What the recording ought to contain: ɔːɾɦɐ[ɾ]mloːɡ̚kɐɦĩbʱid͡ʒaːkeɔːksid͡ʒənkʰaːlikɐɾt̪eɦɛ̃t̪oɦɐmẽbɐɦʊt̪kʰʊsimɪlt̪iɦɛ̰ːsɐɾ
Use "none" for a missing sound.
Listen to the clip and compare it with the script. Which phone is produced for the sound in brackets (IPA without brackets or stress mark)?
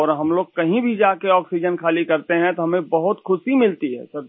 none